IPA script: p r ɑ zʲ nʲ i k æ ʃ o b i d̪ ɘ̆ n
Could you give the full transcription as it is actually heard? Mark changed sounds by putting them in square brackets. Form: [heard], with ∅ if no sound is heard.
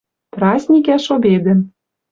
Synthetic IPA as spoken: p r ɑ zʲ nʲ i k æ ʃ o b [e] d̪ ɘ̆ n